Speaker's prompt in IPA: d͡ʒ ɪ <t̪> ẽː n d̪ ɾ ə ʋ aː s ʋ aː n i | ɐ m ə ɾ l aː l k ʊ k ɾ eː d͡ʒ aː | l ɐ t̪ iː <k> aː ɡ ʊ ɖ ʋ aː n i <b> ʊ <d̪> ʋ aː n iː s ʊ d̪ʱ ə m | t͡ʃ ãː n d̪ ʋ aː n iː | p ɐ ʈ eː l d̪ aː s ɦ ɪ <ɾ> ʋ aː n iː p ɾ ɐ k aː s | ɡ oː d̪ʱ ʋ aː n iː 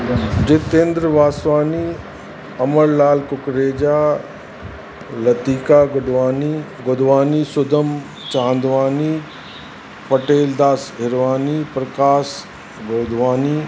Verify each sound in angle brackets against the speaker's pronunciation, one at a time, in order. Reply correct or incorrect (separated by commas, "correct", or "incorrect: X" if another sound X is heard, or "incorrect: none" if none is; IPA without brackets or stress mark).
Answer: correct, correct, incorrect: ɡ, correct, correct